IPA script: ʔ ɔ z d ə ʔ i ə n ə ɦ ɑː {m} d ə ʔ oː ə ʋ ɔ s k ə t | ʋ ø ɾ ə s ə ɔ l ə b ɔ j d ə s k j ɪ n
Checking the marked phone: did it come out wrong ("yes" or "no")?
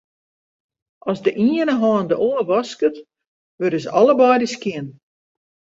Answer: yes